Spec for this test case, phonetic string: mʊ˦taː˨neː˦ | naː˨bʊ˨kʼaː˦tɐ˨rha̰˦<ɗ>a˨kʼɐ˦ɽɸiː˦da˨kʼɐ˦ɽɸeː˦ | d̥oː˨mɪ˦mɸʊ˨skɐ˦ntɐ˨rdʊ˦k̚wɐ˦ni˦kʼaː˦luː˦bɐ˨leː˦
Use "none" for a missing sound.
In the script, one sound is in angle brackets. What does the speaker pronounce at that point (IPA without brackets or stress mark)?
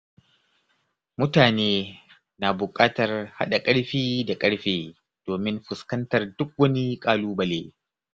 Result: ɗ